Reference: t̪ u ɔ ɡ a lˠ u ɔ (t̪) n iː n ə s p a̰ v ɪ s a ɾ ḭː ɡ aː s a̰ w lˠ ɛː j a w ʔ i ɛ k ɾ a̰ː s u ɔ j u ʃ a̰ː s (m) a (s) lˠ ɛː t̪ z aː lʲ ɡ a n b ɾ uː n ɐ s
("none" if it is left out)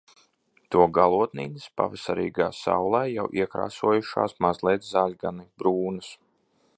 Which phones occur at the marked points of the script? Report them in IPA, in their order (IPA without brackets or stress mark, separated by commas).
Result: t̪, m, z